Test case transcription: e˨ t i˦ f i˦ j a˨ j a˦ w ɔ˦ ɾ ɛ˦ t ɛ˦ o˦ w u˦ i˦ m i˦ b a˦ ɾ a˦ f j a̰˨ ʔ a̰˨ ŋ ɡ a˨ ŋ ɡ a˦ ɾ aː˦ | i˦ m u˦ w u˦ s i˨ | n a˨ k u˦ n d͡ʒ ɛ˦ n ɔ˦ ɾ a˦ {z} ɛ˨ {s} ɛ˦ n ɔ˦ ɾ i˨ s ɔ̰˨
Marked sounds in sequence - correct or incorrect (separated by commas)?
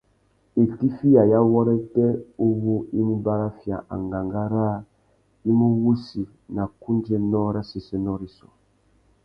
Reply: incorrect, correct